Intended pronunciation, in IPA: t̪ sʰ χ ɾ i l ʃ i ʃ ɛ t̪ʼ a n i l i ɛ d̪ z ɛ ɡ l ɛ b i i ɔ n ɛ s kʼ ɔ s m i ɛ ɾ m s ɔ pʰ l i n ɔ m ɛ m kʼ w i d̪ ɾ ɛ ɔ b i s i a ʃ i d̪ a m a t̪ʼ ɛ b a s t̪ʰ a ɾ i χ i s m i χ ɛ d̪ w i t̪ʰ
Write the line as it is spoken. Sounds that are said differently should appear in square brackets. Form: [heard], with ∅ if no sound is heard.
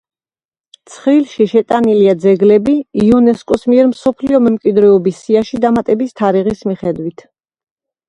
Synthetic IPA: t̪ sʰ χ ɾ i l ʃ i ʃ ɛ t̪ʼ a n i l i [a] d̪ z ɛ ɡ l ɛ b i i ɔ n ɛ s kʼ ɔ s m i ɛ ɾ m s ɔ pʰ l i [∅] ɔ m ɛ m kʼ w i d̪ ɾ ɛ ɔ b i s i a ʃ i d̪ a m a t̪ʼ ɛ b [i] s t̪ʰ a ɾ i [ʁ] i s m i χ ɛ d̪ w i t̪ʰ